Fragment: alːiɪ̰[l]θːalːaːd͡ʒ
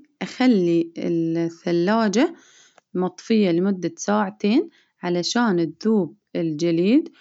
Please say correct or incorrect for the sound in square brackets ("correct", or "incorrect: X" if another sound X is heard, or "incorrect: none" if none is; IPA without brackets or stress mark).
correct